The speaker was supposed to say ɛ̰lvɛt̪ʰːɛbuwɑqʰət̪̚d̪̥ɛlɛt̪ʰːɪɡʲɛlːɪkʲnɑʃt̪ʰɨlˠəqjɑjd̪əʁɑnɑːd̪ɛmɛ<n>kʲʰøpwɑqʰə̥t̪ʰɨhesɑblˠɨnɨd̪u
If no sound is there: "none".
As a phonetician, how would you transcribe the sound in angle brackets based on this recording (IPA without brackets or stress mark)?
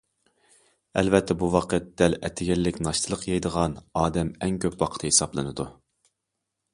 ŋ